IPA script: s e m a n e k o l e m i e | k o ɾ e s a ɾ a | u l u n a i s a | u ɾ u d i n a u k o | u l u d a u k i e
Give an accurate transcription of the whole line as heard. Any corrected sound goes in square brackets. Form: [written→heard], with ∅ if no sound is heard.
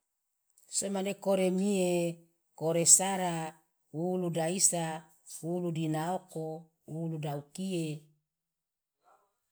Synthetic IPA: s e m a n e k o [l→ɾ] e m i e | k o ɾ e s a ɾ a | u l u [n→d] a i s a | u [ɾ→l] u d i n a [u→o] k o | u l u d a u k i e